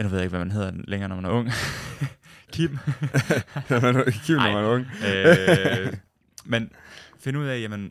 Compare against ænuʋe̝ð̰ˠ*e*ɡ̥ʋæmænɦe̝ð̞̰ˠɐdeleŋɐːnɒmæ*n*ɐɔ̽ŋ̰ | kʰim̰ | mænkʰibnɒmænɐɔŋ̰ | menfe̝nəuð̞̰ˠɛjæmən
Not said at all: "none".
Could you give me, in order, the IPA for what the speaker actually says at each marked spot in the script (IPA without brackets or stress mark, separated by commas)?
e, n